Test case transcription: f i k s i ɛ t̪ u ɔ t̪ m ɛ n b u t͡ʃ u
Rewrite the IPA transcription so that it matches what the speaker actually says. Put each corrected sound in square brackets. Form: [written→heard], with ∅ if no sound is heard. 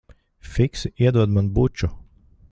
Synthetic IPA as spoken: f i k s i ɛ [t̪→d̪] u ɔ [t̪→d̪] m [ɛ→a] n b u t͡ʃ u